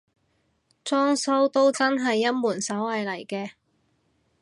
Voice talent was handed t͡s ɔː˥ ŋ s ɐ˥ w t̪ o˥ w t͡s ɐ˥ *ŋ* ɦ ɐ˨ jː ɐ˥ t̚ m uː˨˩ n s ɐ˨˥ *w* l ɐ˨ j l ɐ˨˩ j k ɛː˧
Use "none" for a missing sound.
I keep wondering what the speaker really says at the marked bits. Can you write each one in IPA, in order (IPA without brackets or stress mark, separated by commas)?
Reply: n, w